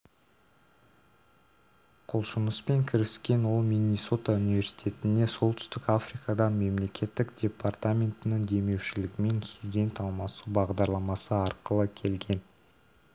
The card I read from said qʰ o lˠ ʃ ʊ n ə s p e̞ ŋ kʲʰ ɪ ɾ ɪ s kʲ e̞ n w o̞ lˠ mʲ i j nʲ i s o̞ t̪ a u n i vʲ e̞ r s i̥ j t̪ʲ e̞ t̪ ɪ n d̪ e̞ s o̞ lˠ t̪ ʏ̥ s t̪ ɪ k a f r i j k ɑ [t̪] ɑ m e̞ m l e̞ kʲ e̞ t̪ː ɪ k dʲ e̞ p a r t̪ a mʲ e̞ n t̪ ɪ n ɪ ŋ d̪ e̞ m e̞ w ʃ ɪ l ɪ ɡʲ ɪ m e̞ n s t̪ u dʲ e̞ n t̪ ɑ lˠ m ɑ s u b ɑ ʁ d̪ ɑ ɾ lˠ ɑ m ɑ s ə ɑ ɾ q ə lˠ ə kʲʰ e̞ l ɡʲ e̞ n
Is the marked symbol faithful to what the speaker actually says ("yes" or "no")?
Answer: no